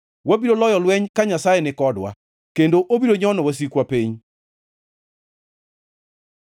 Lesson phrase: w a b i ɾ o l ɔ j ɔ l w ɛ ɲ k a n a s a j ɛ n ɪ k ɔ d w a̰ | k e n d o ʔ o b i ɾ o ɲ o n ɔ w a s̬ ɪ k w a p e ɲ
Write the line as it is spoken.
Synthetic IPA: w a b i ɾ o l ɔ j ɔ l w ɛ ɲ k a ɲ a s a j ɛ n ɪ k ɔ d w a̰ | k e n d o ʔ o b i ɾ o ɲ ɔ n ɔ w a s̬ i k w a p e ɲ